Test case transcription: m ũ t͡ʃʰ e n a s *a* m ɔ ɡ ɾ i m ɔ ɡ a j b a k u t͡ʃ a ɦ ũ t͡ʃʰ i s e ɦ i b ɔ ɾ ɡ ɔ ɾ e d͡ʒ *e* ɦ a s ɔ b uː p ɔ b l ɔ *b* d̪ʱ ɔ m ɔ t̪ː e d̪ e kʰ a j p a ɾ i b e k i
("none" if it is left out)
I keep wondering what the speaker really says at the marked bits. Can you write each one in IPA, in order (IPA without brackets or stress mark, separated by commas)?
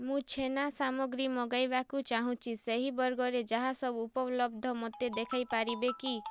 a, a, b